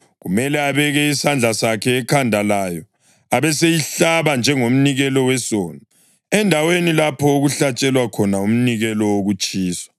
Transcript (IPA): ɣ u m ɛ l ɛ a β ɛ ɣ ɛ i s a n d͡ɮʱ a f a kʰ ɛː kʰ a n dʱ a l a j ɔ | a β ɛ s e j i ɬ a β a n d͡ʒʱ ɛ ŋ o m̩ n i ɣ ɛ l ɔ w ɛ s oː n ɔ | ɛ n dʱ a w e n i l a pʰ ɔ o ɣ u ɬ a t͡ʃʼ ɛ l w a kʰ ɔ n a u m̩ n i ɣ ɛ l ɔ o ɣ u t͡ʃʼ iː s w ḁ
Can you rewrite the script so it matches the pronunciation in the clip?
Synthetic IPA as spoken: ɣ u m ɛ l ɛ a β ɛ ɣ ɛ i s a n d͡ɮʱ a s a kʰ ɛː kʰ a n dʱ a l a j ɔ | a β ɛ s e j i ɬ a β a n d͡ʒʱ ɛ ŋ o m̩ n i ɣ ɛ l ɔ w ɛ s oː n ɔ | ɛ n dʱ a w e n i l a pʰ ɔ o ɣ u ɬ a t͡ʃʼ ɛ l w a kʰ ɔ n a u m̩ n i ɣ ɛ l ɔ o ɣ u t͡ʃʼ iː s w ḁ